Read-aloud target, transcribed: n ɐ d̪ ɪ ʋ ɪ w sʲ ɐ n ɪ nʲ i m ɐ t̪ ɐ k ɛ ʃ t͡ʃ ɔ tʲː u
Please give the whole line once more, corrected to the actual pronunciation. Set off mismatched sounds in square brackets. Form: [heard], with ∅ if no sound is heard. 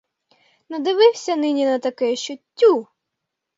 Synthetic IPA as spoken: n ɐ d̪ ɪ ʋ ɪ w sʲ ɐ n ɪ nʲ i [n] ɐ t̪ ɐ k ɛ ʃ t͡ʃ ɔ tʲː u

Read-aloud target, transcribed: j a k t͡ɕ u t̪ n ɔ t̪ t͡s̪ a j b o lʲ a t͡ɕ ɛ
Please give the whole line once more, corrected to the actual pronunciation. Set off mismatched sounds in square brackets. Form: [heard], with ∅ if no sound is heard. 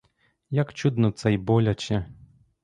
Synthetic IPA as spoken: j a k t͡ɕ u [d̪] n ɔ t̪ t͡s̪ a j b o lʲ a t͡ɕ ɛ

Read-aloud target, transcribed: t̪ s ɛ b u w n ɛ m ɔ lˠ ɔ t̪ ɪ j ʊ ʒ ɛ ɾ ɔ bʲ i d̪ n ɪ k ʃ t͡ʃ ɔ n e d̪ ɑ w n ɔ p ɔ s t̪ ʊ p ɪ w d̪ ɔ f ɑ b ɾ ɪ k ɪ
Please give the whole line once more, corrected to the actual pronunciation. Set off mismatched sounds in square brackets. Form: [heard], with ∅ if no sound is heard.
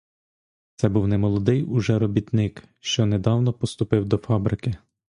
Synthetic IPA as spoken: t̪ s ɛ b u w n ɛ m ɔ lˠ ɔ [d̪] ɪ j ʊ ʒ ɛ ɾ ɔ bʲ i [t̪] n ɪ k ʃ t͡ʃ ɔ n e d̪ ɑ w n ɔ p ɔ s t̪ ʊ p ɪ w d̪ ɔ f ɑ b ɾ ɪ k ɪ

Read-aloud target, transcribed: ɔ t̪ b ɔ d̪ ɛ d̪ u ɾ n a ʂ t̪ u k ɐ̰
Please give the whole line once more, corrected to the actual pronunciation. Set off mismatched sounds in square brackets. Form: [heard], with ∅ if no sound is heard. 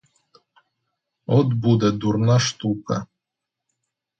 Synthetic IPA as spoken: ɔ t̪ b [u] d̪ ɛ d̪ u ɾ n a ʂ t̪ u k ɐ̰

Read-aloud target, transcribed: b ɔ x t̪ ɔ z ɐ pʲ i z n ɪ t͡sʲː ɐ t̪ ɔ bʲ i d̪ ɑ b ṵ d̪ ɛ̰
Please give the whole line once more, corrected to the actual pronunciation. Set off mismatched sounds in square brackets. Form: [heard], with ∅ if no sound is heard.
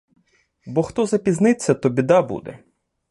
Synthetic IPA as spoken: b ɔ x t̪ ɔ z ɐ pʲ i z n ɪ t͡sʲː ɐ t̪ ɔ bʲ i d̪ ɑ b ṵ d̪ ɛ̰

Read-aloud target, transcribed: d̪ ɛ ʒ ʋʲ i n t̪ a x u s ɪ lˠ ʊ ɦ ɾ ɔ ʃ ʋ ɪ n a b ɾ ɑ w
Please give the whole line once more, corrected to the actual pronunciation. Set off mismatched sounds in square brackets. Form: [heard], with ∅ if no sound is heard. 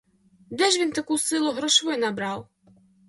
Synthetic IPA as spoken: d̪ ɛ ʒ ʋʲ i n t̪ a [k] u s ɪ lˠ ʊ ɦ ɾ ɔ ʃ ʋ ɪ n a b ɾ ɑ w

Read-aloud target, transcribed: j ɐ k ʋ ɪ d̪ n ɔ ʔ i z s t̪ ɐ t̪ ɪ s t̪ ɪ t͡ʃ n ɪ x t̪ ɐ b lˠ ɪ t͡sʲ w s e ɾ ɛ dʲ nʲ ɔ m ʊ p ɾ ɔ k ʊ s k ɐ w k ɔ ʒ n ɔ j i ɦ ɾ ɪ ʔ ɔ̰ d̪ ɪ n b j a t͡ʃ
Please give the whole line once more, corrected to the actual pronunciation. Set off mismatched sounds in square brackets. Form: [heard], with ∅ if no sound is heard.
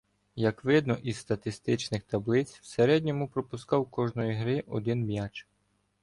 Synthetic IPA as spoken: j ɐ k ʋ ɪ d̪ n ɔ ʔ i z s t̪ ɐ t̪ ɪ s t̪ ɪ t͡ʃ n ɪ x t̪ ɐ b lˠ ɪ t͡sʲ w s e ɾ ɛ dʲ nʲ ɔ m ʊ p ɾ ɔ [p] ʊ s k [ɑ] w k ɔ ʒ n ɔ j i ɦ ɾ ɪ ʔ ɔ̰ d̪ ɪ n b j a t͡ʃ

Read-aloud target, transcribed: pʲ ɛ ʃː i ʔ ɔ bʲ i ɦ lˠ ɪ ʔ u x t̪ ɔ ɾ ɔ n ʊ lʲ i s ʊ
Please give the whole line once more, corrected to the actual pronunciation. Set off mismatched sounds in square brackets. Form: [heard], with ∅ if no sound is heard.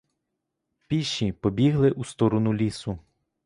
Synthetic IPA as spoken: pʲ [i] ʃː i [p] ɔ bʲ i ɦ lˠ ɪ ʔ u [s] t̪ ɔ ɾ ɔ n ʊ lʲ i s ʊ

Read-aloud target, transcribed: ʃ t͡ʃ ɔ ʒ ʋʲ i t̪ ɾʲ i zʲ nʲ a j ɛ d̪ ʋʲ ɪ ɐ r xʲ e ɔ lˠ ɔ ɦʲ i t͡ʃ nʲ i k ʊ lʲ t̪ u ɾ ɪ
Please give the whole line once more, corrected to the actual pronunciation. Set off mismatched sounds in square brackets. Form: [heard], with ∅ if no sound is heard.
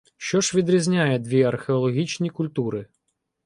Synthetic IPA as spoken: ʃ t͡ʃ ɔ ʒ ʋʲ i [d̪] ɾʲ i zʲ nʲ a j ɛ d̪ ʋʲ [i] ɐ r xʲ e ɔ lˠ ɔ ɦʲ i t͡ʃ nʲ i k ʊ lʲ t̪ u ɾ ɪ

